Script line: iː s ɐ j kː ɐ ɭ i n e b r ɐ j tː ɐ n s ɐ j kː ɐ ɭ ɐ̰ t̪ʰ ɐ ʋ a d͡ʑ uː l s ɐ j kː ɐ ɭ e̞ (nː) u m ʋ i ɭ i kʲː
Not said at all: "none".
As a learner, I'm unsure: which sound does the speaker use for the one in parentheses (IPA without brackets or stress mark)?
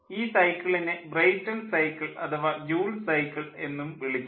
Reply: nː